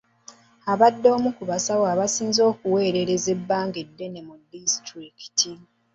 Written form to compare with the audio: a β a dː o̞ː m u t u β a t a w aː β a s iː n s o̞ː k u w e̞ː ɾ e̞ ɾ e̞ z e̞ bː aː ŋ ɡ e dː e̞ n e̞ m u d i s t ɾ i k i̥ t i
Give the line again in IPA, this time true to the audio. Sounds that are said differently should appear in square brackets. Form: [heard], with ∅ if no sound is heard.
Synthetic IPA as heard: a β a dː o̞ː m u [k] u β a [s] a w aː β a s iː n [z] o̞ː k u w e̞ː ɾ e̞ ɾ e̞ z e̞ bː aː ŋ ɡ e dː e̞ n e̞ m u d i s t ɾ i k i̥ t i